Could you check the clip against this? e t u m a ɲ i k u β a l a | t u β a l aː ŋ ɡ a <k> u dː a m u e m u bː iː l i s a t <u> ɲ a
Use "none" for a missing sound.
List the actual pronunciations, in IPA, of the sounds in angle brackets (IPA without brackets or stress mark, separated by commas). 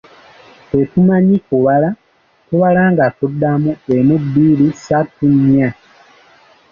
t, u